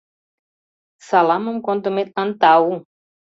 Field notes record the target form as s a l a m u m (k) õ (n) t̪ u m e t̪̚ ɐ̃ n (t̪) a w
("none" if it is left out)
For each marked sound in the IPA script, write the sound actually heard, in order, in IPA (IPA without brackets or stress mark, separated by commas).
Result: k, n, t̪